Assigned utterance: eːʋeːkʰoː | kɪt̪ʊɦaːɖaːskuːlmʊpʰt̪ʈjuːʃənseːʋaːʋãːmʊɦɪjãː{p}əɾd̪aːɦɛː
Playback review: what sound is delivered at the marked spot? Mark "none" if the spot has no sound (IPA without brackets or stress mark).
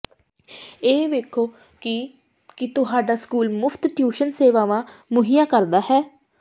k